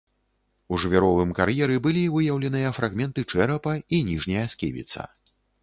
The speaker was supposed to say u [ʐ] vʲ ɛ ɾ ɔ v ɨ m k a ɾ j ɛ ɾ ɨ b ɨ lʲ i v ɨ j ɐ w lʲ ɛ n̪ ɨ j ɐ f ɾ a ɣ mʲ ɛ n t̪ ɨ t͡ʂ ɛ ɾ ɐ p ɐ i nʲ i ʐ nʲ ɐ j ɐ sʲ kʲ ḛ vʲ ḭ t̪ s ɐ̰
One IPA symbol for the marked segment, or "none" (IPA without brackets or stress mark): ʐ